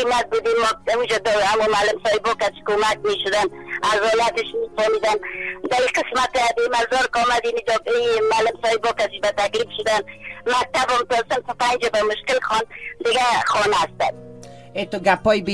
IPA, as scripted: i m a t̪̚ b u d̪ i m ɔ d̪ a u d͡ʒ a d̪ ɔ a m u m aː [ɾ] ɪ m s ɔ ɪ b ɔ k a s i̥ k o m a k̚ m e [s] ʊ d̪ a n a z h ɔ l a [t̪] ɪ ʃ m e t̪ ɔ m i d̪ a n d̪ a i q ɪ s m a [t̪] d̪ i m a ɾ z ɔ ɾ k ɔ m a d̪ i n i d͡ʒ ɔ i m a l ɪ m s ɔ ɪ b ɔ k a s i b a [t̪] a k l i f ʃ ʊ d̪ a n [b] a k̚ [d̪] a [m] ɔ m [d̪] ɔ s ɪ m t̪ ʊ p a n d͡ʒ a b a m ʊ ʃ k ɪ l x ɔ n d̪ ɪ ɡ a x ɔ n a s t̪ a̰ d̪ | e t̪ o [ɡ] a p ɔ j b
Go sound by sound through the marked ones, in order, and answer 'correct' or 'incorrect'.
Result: incorrect, incorrect, correct, correct, correct, incorrect, incorrect, incorrect, incorrect, correct

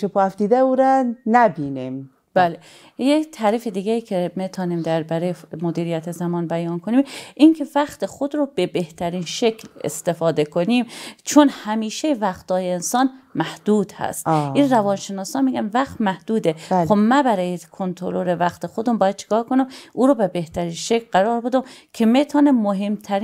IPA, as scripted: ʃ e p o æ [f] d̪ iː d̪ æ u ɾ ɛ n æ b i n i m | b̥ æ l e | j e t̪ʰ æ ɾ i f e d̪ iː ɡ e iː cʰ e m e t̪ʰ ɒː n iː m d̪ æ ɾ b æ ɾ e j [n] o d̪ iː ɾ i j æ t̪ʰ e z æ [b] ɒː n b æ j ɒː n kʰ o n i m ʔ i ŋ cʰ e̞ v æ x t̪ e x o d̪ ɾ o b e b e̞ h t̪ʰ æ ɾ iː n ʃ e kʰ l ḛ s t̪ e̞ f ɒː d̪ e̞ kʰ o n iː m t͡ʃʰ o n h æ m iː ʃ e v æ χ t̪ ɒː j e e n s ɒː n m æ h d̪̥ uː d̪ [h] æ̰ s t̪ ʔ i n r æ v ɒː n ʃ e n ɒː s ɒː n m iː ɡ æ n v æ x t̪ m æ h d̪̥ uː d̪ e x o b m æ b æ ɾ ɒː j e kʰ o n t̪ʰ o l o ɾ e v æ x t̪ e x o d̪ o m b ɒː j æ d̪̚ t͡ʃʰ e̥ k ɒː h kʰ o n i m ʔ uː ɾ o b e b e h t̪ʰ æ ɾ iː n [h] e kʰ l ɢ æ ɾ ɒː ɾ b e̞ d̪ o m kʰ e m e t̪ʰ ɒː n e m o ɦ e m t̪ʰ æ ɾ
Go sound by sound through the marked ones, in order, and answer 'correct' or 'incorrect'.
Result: correct, incorrect, incorrect, correct, incorrect

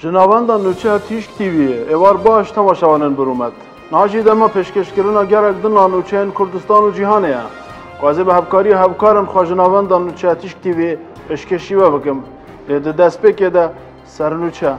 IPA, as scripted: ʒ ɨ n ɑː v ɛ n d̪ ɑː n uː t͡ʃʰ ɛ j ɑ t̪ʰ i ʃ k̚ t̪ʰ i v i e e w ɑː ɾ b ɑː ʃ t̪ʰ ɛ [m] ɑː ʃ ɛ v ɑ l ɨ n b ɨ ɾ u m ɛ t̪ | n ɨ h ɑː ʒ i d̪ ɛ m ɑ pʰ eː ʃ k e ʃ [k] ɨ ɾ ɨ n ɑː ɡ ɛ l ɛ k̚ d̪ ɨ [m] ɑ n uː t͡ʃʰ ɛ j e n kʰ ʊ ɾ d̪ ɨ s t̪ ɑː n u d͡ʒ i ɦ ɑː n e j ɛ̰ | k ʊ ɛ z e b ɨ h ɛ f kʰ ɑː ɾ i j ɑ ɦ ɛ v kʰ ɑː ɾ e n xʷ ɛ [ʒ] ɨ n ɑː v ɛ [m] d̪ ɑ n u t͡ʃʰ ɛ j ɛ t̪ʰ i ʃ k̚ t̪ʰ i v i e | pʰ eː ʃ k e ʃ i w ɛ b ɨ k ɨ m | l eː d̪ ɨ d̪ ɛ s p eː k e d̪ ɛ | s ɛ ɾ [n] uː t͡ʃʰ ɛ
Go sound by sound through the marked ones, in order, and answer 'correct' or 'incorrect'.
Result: correct, correct, incorrect, correct, incorrect, correct

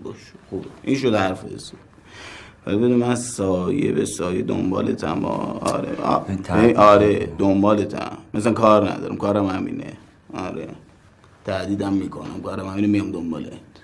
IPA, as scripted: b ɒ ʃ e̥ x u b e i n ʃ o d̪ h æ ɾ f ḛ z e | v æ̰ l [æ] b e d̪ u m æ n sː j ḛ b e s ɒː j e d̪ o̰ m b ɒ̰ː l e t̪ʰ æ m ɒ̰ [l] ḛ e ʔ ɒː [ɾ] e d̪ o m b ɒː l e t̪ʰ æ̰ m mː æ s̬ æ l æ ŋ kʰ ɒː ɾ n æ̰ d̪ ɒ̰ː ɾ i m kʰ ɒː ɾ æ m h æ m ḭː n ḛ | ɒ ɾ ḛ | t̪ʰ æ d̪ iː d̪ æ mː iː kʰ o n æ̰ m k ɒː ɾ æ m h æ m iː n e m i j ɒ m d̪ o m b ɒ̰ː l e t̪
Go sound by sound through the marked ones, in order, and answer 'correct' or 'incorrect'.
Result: incorrect, incorrect, correct

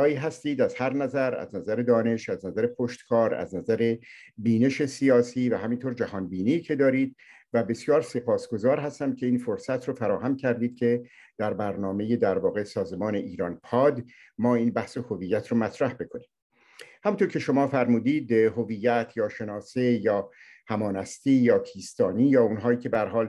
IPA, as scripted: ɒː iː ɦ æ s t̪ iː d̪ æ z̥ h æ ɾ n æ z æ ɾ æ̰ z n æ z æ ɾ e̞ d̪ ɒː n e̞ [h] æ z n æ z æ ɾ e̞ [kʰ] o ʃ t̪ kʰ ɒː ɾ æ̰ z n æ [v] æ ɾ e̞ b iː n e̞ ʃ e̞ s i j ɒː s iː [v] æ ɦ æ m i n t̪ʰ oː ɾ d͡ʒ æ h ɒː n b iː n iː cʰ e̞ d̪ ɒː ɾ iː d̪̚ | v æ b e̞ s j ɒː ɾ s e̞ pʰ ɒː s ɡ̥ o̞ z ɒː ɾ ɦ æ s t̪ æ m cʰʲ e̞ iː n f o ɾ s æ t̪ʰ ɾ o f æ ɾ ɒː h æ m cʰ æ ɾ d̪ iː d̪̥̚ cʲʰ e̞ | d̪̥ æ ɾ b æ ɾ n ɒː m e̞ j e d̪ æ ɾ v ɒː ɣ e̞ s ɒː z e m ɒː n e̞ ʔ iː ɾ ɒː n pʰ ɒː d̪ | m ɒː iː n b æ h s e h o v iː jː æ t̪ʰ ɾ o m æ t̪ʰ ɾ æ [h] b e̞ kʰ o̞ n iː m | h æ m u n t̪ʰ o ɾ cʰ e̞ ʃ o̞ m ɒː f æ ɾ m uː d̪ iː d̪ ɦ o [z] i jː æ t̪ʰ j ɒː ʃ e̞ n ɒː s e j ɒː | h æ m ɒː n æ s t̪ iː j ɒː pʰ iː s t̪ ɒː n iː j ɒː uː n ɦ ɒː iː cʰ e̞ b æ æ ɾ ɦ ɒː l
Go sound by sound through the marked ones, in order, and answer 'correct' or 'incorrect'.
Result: incorrect, incorrect, incorrect, correct, correct, incorrect

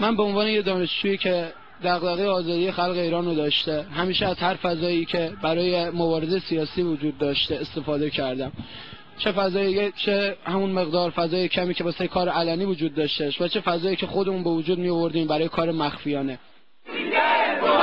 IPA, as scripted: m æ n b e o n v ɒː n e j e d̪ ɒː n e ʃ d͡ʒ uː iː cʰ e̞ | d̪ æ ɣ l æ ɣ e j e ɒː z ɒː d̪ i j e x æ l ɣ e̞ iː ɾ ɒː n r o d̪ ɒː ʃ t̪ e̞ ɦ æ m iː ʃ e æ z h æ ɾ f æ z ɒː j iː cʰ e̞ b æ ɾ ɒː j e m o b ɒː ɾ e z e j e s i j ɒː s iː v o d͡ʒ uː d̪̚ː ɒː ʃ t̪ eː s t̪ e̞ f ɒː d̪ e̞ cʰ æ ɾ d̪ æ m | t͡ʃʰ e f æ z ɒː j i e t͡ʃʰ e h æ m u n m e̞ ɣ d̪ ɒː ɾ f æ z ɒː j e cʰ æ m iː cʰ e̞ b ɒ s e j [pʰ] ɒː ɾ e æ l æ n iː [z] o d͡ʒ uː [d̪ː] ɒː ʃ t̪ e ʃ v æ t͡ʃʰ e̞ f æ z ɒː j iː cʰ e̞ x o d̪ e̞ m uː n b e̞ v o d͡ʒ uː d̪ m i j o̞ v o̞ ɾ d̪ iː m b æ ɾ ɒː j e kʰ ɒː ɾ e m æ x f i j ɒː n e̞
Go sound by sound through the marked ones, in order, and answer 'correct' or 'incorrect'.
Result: incorrect, incorrect, correct

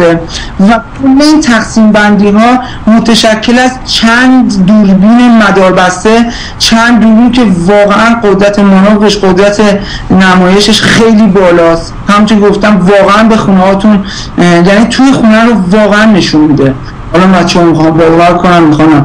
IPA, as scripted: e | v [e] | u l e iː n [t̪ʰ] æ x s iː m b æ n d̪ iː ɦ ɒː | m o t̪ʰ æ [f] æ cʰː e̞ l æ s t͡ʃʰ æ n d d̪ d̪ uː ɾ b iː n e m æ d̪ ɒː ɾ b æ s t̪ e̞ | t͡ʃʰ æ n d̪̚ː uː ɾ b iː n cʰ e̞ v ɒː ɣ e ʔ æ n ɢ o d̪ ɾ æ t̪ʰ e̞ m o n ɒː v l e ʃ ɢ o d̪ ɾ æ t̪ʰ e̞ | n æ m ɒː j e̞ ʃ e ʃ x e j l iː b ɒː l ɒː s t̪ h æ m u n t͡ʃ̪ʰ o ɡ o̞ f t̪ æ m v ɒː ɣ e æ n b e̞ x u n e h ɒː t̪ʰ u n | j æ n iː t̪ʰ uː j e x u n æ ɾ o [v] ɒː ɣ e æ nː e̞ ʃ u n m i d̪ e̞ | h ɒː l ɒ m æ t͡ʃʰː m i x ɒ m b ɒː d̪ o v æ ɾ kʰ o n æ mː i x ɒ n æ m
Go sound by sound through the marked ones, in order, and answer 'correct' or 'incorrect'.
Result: incorrect, correct, incorrect, correct

